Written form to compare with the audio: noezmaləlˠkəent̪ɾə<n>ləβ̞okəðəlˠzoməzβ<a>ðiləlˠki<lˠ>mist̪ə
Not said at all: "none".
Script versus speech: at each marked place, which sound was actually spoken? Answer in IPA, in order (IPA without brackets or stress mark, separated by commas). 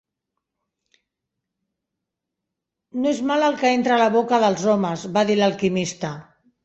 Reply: none, a, none